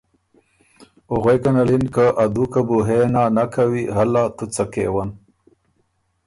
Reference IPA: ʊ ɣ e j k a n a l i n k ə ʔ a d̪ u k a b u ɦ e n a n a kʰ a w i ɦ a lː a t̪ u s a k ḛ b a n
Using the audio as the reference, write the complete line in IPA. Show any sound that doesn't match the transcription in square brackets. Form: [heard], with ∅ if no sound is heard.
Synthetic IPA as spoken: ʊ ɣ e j k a n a l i n k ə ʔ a d̪ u k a b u ɦ e n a n a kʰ a w i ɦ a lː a t̪ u [t͡s] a k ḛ [w] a n